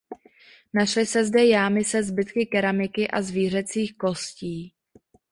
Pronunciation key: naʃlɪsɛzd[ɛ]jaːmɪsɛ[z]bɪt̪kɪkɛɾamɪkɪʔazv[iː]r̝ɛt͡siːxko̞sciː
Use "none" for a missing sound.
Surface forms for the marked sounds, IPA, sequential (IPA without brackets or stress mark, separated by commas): ɛ, z, iː